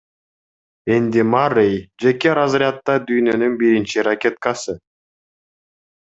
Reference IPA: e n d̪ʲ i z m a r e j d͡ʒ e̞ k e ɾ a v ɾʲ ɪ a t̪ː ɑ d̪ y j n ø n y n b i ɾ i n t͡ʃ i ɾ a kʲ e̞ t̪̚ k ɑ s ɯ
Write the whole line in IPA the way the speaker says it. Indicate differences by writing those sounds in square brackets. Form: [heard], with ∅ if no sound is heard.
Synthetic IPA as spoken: e n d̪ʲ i [∅] m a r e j d͡ʒ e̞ k e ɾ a [z] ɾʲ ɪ a t̪ː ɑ d̪ y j n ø n y n b i ɾ i n t͡ʃ i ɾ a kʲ e̞ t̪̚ k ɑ s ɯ

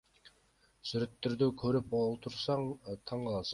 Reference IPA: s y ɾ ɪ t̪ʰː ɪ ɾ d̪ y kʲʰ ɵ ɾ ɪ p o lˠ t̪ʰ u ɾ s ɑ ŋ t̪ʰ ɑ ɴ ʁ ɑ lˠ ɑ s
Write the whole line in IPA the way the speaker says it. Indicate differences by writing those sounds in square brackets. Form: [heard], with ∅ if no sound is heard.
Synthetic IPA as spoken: s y ɾ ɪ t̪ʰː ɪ ɾ d̪ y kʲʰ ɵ ɾ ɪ p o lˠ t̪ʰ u ɾ s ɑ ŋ t̪ʰ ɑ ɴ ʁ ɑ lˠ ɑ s

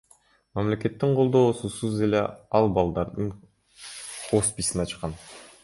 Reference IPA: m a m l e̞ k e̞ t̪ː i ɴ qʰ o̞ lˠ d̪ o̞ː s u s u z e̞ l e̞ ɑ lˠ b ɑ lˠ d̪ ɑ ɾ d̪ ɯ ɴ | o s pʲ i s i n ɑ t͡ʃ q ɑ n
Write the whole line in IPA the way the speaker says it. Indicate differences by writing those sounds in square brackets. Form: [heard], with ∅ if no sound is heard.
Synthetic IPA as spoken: m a m l e̞ k e̞ t̪ː i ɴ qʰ o̞ lˠ d̪ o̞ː s u s u z e̞ l e̞ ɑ lˠ b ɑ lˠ d̪ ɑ ɾ d̪ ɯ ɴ | o s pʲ i s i n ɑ t͡ʃ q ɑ n

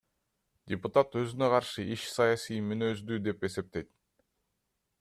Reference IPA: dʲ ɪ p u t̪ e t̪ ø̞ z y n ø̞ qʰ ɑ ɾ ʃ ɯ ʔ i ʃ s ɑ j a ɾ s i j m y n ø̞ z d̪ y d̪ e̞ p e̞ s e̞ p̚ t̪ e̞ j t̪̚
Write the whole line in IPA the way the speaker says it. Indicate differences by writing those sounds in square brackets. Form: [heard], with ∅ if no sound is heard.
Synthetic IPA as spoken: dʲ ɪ p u t̪ [a] t̪ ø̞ z y n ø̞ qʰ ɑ ɾ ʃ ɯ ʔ i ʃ s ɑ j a [∅] s i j m y n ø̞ z d̪ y d̪ e̞ p e̞ s e̞ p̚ t̪ e̞ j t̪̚

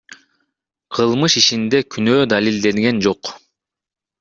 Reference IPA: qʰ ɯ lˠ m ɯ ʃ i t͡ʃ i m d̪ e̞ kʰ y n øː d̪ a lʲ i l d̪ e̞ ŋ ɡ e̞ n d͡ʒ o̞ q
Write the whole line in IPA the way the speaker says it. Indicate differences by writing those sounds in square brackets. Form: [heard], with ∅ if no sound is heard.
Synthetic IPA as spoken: qʰ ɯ lˠ m ɯ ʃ i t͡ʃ i [n] d̪ e̞ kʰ y n øː d̪ a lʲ i l d̪ e̞ ŋ ɡ e̞ n d͡ʒ o̞ q

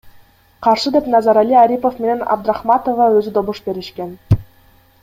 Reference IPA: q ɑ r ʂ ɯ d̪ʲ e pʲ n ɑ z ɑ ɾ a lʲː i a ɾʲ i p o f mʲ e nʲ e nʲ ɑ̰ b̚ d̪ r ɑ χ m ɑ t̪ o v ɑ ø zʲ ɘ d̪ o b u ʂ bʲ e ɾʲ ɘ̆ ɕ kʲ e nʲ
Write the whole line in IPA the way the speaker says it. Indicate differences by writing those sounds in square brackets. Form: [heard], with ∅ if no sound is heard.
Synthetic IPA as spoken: q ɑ r ʂ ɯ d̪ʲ e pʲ n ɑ z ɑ ɾ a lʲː i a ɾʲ i p o f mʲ e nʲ e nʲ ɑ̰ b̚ d̪ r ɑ χ m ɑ t̪ o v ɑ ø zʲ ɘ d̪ o b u ʂ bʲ e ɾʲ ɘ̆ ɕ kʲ e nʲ

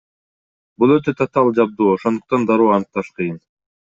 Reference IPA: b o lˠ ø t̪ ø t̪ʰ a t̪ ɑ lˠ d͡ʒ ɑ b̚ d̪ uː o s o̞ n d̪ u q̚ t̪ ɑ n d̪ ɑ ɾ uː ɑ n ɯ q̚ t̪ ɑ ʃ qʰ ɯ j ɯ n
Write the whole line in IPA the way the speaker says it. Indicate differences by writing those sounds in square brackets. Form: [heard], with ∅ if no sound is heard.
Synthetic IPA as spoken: b [u] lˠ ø t̪ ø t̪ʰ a t̪ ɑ lˠ d͡ʒ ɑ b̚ d̪ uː o [ʃ] o̞ n d̪ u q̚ t̪ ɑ n d̪ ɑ ɾ uː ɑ n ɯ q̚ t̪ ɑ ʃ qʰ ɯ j ɯ n

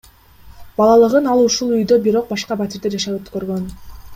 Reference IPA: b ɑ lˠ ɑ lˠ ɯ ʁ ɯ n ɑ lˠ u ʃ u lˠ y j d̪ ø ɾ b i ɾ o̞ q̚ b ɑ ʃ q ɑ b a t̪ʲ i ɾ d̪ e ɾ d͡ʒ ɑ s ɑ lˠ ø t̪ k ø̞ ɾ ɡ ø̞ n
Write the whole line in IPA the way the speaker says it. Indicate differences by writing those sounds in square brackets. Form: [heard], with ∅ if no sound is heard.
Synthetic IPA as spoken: b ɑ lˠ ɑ lˠ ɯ ʁ ɯ n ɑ lˠ u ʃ u lˠ y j d̪ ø [∅] b i ɾ o̞ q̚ b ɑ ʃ q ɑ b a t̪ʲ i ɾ d̪ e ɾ d͡ʒ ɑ [ʃ] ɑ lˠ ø t̪ k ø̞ ɾ ɡ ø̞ n

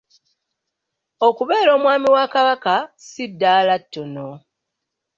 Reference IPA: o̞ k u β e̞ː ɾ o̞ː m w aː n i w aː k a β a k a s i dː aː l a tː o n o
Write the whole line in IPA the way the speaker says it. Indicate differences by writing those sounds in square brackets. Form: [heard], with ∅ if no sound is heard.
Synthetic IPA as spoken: o̞ k u β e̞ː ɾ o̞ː m w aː [m] i w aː k a β a k a s i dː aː l a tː o n o

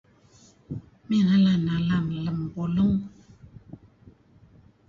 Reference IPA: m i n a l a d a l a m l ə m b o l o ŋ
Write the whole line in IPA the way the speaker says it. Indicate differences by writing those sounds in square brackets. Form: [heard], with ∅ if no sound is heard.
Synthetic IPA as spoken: m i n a l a [n] a l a m l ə m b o l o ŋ

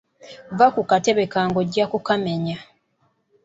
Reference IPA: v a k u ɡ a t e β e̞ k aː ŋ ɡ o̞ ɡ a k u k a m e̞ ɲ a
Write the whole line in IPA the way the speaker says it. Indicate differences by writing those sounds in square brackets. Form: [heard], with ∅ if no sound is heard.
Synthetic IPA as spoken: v a k u [k] a t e β e̞ k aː ŋ ɡ o̞ [ɟ] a k u k a m e̞ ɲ a

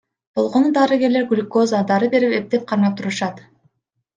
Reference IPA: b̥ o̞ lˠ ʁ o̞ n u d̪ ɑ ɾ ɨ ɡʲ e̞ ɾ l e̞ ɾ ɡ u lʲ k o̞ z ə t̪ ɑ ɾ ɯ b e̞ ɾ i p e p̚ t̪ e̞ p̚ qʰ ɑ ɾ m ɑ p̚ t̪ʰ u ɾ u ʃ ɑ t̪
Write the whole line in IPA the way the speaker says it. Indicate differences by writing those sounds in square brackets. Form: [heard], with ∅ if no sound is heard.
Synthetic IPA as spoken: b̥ o̞ lˠ ʁ o̞ n u d̪ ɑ ɾ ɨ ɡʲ e̞ ɾ l e̞ ɾ ɡ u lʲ k o̞ z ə [d̪] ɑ ɾ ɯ b e̞ ɾ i p e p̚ t̪ e̞ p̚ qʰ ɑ ɾ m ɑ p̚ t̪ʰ u ɾ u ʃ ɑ t̪

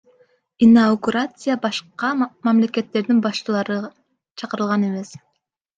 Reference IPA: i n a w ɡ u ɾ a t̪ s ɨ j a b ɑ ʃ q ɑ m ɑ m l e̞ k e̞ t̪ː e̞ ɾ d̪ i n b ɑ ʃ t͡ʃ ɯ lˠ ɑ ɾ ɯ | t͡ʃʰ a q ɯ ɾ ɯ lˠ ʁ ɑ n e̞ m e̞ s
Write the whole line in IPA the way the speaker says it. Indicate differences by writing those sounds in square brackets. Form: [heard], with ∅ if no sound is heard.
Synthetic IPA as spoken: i n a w ɡ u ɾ a t̪ s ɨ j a b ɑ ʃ q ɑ m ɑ m l e̞ k e̞ t̪ː e̞ ɾ d̪ i n b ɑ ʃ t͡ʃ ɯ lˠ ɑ ɾ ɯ | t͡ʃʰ [ɑ] q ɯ ɾ ɯ lˠ ʁ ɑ n e̞ m e̞ s

